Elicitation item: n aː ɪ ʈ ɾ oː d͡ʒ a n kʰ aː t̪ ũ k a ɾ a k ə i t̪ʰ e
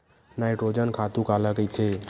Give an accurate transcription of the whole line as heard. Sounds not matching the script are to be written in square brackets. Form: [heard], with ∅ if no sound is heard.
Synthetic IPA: n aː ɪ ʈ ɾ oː d͡ʒ [ə] n kʰ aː t̪ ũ k a [l] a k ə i t̪ʰ e